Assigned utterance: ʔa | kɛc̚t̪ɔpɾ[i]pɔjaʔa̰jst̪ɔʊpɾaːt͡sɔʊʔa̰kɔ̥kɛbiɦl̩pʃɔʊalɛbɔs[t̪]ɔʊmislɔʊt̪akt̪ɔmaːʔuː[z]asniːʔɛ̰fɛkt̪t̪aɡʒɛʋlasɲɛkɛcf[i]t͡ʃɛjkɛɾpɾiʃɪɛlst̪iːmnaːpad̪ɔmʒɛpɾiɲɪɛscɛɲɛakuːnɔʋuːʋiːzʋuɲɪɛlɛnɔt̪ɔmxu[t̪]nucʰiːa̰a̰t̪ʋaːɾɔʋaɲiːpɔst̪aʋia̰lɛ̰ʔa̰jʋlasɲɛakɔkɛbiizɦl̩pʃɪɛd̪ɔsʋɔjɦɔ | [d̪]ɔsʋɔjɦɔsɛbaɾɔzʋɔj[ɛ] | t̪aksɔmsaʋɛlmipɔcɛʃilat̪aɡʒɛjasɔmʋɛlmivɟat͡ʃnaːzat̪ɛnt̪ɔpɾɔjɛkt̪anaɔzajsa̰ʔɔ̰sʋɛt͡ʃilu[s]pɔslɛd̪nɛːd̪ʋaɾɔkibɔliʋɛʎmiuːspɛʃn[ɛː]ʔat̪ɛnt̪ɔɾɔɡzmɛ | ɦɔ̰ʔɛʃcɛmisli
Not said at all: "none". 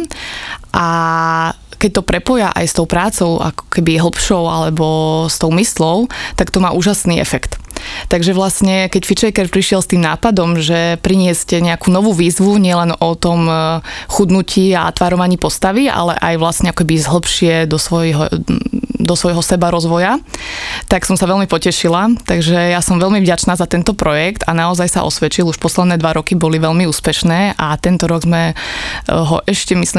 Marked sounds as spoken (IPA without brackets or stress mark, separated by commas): ɛ, t̪, ʒ, i, d̪, d̪, a, ʃ, ɛː